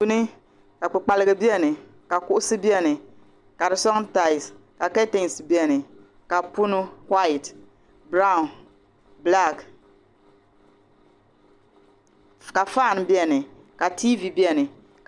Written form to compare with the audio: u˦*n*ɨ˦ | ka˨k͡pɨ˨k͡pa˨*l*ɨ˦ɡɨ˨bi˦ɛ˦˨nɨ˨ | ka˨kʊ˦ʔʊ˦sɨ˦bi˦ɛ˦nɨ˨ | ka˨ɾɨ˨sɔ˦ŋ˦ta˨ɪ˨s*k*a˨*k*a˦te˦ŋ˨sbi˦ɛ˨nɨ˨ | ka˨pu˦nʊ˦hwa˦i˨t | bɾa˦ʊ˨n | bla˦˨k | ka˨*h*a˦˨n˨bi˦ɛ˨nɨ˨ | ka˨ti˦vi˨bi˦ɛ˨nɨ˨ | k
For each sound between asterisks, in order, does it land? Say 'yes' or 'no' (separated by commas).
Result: yes, yes, yes, yes, no